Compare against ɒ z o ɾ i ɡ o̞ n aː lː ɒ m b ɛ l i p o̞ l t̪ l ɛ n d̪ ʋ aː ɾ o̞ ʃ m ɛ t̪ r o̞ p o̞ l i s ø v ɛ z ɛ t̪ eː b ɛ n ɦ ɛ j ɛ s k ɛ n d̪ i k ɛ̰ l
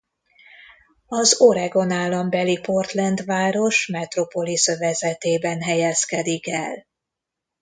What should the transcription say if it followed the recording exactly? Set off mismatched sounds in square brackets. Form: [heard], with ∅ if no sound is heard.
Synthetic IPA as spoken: ɒ z o ɾ [ɛ] ɡ o̞ n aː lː ɒ m b ɛ l i p o̞ [r] t̪ l ɛ n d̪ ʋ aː ɾ o̞ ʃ m ɛ t̪ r o̞ p o̞ l i s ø v ɛ z ɛ t̪ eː b ɛ n ɦ ɛ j ɛ s k ɛ [∅] d̪ i k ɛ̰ l